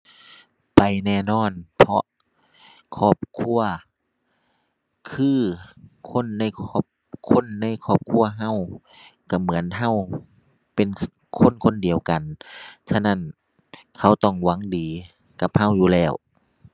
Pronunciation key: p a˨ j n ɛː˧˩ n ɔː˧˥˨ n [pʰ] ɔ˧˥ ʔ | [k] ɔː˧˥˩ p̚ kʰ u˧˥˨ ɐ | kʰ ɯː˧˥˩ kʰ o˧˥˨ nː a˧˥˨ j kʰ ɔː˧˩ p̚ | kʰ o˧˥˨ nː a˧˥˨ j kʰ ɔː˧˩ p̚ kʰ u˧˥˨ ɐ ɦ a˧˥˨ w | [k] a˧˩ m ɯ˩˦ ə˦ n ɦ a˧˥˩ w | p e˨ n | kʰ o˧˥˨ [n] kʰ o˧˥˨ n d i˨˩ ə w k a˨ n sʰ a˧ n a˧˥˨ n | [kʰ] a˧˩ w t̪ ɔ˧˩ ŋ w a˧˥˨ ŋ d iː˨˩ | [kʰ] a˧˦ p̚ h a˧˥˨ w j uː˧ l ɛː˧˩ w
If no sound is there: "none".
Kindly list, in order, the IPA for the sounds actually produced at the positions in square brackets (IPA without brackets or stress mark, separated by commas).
pʰ, kʰ, k, n, kʰ, k